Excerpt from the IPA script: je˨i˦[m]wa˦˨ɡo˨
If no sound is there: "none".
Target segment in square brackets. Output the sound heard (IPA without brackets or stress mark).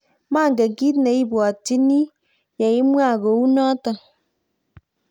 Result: m